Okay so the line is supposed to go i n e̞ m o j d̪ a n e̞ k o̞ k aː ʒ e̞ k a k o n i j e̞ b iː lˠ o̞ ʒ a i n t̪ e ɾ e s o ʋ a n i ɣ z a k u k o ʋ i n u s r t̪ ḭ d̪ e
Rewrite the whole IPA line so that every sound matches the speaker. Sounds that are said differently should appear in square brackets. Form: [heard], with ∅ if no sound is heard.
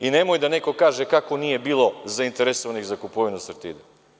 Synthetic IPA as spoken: i n e̞ m o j d̪ a n e̞ k o̞ k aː ʒ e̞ k a k o n i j e̞ b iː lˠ o̞ [z] a i n t̪ e ɾ e s o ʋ a n i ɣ z a k u [p] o ʋ i n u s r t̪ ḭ d̪ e